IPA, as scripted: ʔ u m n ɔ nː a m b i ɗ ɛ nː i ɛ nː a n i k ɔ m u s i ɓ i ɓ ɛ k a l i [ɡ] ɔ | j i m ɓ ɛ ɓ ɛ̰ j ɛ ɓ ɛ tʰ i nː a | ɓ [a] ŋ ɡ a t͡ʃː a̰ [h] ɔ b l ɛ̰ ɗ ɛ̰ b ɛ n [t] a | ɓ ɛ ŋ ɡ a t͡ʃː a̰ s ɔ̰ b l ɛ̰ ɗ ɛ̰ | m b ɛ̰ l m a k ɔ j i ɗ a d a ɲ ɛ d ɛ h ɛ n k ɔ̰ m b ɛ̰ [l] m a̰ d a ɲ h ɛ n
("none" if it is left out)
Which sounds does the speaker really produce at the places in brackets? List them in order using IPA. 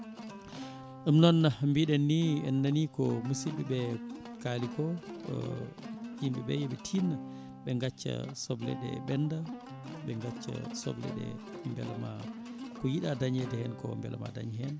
k, ɛ, s, d, l

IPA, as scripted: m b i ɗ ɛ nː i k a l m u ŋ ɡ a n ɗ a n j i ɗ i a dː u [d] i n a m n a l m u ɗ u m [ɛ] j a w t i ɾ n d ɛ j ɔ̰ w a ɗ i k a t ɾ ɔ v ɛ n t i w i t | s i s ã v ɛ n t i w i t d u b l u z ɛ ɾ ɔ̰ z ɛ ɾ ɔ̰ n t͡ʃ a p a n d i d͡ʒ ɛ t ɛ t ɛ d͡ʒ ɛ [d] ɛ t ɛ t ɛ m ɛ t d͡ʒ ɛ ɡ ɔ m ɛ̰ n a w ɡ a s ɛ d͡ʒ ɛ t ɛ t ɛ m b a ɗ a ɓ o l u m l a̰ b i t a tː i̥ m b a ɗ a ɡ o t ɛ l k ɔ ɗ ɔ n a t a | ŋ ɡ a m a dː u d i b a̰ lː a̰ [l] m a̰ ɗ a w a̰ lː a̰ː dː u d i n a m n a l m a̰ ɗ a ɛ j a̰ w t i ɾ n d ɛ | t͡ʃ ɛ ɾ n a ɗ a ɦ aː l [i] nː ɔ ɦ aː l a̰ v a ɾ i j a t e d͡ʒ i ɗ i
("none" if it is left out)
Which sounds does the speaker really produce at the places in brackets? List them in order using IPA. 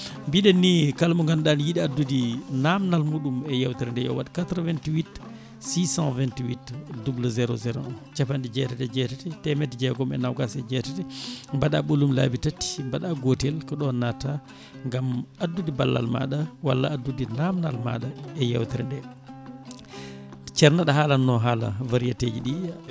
d, ɛ, t, l, a

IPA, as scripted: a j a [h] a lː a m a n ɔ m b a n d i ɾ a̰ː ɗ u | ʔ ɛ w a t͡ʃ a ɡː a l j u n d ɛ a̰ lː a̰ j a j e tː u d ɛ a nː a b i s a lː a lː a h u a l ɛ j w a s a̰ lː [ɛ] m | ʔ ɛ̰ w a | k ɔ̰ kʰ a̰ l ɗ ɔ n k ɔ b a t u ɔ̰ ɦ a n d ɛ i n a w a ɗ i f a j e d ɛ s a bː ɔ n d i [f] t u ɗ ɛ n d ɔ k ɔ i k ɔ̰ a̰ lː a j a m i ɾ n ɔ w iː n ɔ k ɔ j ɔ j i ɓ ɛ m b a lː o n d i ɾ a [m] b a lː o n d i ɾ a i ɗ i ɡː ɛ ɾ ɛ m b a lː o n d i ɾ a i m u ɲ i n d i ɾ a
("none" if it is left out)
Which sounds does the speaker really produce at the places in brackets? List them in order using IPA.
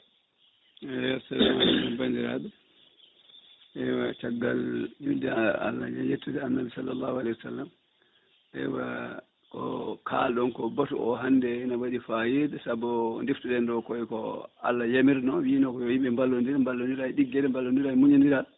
s, a, f, m

